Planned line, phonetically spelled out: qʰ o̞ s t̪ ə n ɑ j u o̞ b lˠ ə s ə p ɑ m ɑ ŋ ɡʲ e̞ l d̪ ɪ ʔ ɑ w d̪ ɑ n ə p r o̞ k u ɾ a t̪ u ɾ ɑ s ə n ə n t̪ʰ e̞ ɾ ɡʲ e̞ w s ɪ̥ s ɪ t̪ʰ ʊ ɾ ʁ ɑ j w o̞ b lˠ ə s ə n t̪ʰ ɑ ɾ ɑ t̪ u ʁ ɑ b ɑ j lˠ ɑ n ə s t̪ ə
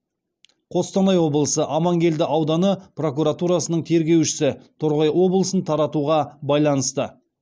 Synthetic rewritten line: qʰ o̞ s t̪ ɑ n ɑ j w o̞ b lˠ ə s ə ʔ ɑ m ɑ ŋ ɡʲ e̞ l d̪ ɪ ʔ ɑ w d̪ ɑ n ə p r o̞ k u ɾ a t̪ u ɾ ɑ s ə n ə ɴ t̪ʰ e̞ ɾ ɡʲ e̞ w ʃ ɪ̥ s ɪ t̪ʰ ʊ ɾ ʁ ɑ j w o̞ b lˠ ə s ə n t̪ʰ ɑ ɾ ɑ t̪ u ʁ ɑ b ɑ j lˠ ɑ n ə s t̪ ə